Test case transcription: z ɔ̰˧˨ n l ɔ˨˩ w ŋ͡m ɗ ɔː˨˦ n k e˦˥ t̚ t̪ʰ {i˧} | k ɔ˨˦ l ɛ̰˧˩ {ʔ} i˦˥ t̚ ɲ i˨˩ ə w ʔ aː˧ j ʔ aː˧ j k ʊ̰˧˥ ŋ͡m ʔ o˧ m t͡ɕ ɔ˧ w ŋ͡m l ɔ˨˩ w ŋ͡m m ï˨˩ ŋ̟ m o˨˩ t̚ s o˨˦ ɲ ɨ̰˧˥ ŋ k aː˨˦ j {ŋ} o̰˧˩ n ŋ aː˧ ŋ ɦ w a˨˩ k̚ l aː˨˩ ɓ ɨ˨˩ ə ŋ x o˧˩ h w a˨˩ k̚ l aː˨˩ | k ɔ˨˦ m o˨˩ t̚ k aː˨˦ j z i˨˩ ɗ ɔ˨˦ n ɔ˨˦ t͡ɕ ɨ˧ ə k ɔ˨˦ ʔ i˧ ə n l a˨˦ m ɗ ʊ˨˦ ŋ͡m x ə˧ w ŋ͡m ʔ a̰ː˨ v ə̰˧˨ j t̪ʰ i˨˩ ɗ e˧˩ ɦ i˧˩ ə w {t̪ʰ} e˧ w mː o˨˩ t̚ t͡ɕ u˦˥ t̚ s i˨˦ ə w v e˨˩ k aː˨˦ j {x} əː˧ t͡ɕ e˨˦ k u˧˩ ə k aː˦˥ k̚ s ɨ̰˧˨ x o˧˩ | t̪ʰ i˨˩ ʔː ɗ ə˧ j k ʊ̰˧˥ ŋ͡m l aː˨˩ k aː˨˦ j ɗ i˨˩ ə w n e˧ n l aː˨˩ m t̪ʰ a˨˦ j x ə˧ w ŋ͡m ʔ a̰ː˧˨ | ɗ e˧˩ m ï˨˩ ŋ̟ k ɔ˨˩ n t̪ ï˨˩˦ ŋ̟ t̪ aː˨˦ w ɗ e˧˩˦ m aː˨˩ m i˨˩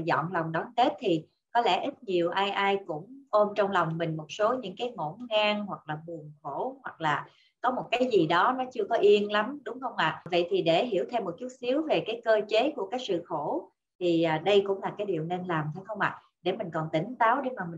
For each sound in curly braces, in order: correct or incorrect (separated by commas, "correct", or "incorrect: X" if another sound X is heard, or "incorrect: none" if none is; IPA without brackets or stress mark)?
incorrect: i˨˩, correct, correct, correct, incorrect: k